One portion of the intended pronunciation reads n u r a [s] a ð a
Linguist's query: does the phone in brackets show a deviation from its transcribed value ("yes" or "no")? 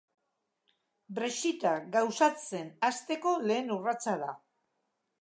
yes